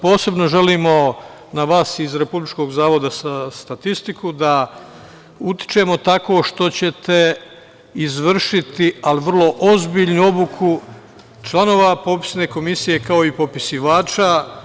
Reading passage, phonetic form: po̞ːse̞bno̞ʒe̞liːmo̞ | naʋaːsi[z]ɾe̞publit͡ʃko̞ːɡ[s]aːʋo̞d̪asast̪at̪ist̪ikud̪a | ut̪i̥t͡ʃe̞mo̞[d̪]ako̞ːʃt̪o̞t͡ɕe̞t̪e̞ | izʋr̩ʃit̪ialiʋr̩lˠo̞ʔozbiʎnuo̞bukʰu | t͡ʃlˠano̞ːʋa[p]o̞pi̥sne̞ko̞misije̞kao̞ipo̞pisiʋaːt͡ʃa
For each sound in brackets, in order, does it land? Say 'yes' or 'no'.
yes, no, no, yes

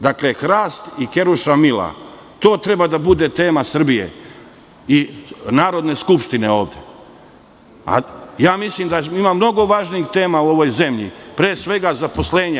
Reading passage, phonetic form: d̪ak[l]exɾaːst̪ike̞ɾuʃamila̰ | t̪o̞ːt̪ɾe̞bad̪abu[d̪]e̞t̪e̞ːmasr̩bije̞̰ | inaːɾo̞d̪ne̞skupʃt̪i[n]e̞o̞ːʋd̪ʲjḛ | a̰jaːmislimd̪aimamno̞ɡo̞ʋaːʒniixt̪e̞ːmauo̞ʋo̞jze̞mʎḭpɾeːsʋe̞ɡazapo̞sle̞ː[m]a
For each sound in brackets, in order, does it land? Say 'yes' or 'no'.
yes, yes, yes, no

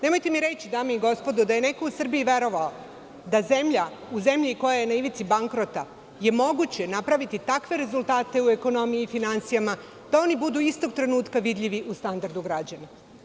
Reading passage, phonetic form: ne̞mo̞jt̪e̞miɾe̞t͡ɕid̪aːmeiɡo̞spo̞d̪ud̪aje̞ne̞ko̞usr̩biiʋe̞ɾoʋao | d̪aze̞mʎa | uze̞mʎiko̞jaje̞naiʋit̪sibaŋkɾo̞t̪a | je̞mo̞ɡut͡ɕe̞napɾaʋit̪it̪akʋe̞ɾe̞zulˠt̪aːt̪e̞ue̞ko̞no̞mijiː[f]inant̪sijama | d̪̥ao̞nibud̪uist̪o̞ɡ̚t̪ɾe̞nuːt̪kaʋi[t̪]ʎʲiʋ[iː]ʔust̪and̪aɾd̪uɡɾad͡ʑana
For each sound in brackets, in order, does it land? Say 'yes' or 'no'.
yes, no, no

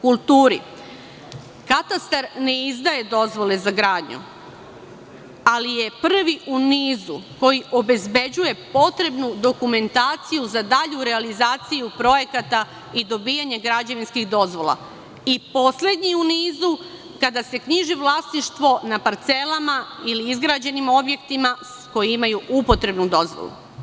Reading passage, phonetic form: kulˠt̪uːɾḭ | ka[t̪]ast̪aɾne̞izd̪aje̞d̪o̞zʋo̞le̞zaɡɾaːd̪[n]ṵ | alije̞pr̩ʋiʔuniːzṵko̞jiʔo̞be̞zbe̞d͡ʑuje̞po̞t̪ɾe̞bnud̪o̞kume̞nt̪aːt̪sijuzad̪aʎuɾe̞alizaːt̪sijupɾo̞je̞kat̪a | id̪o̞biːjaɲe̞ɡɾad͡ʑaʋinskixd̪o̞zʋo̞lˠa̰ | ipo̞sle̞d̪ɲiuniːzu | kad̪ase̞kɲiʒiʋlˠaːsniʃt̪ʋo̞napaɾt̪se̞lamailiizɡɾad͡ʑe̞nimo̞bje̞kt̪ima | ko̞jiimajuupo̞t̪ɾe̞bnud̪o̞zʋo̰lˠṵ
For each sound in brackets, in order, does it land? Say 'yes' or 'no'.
yes, no

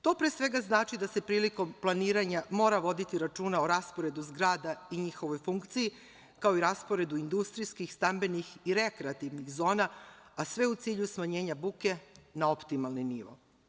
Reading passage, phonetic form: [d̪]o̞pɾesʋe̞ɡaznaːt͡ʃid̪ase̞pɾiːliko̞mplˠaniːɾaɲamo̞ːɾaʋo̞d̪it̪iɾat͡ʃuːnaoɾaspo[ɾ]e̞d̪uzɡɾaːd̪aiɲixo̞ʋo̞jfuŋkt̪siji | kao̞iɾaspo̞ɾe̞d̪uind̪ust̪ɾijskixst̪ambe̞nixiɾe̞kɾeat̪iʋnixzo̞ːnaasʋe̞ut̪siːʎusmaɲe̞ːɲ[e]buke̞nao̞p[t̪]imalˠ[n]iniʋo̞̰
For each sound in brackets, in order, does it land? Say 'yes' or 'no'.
no, yes, no, yes, yes

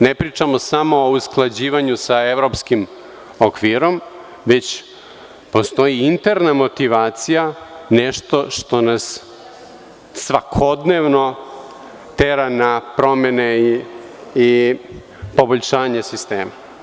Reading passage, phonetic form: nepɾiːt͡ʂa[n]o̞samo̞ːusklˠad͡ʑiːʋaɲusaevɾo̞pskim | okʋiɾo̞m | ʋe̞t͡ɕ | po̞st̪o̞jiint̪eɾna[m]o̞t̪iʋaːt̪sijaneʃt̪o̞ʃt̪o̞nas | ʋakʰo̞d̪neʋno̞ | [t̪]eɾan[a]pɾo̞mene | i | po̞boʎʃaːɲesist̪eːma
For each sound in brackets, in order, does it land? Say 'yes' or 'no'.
no, yes, yes, yes

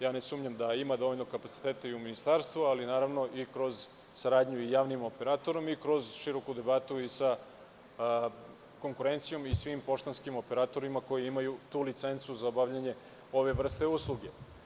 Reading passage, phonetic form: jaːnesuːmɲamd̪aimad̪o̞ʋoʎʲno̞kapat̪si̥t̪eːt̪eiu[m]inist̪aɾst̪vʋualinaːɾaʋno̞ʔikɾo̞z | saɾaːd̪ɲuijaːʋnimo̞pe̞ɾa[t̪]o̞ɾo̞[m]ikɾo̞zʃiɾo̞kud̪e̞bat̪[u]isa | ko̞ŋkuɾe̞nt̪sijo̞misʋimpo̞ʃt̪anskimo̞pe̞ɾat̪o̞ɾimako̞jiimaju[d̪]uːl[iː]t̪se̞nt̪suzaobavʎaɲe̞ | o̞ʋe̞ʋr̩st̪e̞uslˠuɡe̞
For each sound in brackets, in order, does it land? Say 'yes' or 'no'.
yes, yes, yes, yes, no, no

